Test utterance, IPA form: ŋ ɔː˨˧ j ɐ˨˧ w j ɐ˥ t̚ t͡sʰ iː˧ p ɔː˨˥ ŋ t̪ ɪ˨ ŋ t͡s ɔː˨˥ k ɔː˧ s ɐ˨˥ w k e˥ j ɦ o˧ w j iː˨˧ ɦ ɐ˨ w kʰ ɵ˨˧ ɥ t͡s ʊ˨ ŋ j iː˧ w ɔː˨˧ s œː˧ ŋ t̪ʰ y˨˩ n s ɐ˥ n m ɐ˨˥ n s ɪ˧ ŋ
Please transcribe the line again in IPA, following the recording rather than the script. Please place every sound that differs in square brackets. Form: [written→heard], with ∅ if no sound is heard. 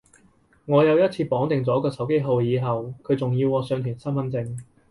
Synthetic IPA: ŋ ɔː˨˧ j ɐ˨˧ w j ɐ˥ t̚ t͡sʰ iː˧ p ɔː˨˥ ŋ t̪ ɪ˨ ŋ t͡s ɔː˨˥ k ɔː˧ s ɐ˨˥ w k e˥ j ɦ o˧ w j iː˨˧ ɦ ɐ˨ w kʰ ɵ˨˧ ɥ t͡s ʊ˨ ŋ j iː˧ w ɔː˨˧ s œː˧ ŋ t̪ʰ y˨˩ n s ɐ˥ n m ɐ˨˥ n [s→t͡s] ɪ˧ ŋ

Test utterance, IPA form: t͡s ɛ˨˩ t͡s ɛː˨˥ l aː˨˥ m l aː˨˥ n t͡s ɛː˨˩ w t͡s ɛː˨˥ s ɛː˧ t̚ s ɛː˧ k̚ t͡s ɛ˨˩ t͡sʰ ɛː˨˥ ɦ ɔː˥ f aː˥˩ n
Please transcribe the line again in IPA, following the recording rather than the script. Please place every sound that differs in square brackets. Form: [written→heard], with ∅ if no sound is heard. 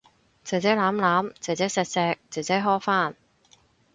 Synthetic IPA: t͡s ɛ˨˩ t͡s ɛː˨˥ l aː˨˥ m l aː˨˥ [n→m] t͡s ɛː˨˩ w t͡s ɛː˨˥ s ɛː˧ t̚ s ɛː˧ k̚ t͡s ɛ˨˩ [t͡sʰ→t͡s] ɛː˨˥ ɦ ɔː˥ f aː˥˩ n

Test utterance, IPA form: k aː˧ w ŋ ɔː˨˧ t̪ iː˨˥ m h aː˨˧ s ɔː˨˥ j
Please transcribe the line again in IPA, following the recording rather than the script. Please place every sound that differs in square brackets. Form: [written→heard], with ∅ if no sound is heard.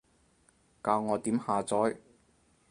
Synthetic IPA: k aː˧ w ŋ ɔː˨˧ t̪ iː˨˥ m h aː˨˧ [s→t͡s] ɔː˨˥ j

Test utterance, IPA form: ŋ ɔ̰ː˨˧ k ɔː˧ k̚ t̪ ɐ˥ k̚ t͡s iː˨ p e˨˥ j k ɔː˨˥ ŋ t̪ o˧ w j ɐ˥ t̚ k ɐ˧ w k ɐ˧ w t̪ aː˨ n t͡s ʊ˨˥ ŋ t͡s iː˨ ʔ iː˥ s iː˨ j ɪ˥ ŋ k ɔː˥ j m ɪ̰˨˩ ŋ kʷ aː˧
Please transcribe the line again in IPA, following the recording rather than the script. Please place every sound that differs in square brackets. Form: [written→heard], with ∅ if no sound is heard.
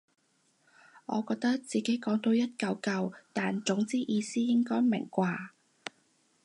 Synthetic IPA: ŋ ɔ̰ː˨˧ k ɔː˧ k̚ t̪ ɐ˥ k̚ t͡s iː˨ [p→k] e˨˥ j k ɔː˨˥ ŋ t̪ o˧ w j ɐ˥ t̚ k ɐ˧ w k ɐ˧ w t̪ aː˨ n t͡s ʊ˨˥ ŋ t͡s [iː˨→iː˥] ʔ [iː˥→iː˧] s [iː˨→iː˥] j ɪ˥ ŋ k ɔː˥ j m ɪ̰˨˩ ŋ kʷ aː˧

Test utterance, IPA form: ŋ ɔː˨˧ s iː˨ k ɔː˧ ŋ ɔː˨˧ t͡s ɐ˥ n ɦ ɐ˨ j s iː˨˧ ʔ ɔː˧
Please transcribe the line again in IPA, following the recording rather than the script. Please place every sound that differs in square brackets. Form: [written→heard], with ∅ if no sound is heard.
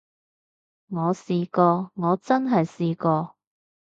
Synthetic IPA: ŋ ɔː˨˧ s iː˨ k ɔː˧ ŋ ɔː˨˧ t͡s ɐ˥ n ɦ ɐ˨ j s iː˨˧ [ʔ→k] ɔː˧

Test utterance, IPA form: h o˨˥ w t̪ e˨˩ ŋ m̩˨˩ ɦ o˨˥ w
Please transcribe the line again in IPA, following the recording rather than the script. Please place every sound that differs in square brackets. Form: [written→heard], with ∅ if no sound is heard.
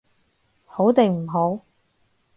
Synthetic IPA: h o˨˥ w t̪ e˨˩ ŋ m̩˨˩ ɦ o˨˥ w

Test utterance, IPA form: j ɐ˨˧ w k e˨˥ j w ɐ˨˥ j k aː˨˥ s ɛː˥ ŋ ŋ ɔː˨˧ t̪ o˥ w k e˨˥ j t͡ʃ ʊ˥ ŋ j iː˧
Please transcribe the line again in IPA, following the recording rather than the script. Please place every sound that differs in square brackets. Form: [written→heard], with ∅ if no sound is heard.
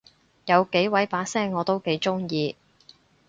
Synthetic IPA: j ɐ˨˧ w k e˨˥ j w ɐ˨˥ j [k→p] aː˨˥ s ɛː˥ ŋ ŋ ɔː˨˧ t̪ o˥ w k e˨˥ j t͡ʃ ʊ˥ ŋ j iː˧

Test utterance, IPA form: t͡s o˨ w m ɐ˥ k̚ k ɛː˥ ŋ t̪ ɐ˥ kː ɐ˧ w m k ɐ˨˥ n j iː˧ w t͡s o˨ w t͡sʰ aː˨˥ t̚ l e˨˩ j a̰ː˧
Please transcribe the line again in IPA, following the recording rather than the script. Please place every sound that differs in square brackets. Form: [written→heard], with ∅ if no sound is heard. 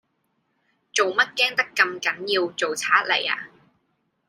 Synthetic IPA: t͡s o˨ w m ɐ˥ [k̚→t̚] k ɛː˥ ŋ t̪ ɐ˥ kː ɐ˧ [w→∅] m k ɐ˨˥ n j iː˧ w t͡s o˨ w t͡sʰ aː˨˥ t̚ l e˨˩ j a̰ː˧

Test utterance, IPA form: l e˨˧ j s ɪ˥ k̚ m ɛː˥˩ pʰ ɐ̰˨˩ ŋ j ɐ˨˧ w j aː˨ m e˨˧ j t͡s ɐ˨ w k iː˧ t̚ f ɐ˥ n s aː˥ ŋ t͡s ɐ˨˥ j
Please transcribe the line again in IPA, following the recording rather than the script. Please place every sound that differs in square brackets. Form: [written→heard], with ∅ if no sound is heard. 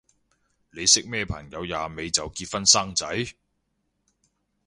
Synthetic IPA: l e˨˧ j s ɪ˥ k̚ m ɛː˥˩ pʰ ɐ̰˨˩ ŋ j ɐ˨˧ w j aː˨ m e˨˧ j t͡s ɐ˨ w k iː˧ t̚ f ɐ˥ n s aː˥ ŋ t͡s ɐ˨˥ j

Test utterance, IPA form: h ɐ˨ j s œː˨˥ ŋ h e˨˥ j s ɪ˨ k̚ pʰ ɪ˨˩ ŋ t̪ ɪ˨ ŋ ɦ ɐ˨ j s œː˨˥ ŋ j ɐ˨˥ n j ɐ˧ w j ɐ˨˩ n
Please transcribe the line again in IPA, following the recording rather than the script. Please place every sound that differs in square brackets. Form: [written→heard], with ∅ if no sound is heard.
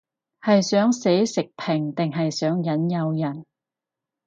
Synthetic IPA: h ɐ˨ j s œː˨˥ ŋ [h→s] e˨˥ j s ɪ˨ k̚ pʰ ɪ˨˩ ŋ t̪ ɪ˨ ŋ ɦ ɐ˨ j s œː˨˥ ŋ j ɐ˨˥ n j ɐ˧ w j ɐ˨˩ n

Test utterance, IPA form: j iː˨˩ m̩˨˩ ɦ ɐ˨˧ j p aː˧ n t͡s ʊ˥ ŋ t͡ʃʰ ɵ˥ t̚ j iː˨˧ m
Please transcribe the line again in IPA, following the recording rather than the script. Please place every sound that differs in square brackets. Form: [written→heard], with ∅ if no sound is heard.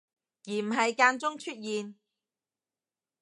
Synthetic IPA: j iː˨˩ m̩˨˩ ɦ ɐ˨˧ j [p→k] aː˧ n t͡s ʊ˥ ŋ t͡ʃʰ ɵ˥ t̚ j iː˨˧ [m→n]

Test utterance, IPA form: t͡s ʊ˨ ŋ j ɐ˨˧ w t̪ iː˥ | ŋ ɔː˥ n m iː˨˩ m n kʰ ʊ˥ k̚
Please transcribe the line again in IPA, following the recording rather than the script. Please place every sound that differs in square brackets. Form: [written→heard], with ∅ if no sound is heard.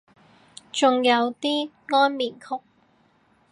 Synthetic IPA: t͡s ʊ˨ ŋ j ɐ˨˧ w t̪ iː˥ | ŋ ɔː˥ n m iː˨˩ [m→∅] n kʰ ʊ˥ k̚

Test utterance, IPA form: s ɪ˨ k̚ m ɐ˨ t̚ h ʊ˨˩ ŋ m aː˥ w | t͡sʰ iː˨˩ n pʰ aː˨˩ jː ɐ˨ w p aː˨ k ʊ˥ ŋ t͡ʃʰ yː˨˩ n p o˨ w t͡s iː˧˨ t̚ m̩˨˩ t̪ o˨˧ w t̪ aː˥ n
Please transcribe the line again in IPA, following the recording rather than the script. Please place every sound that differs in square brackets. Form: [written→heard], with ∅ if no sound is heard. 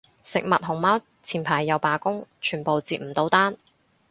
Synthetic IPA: s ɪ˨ k̚ m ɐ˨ t̚ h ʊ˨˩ ŋ m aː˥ w | t͡sʰ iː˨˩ n pʰ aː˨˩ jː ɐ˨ w p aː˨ k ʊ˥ ŋ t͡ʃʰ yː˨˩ n p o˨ w t͡s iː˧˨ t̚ m̩˨˩ t̪ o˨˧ w t̪ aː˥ n

